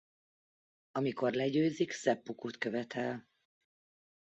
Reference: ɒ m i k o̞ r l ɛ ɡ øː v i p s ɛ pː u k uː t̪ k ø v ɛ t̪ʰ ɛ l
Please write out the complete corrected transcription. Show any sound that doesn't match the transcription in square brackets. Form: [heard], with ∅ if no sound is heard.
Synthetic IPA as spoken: ɒ m i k o̞ r l ɛ [ɟ] øː [z] i [k] s ɛ pː u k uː t̪ k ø v ɛ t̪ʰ ɛ l